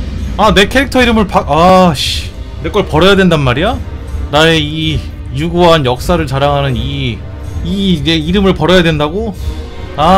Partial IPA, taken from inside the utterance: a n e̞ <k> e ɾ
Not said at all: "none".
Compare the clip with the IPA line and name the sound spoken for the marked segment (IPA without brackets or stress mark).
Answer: kʰ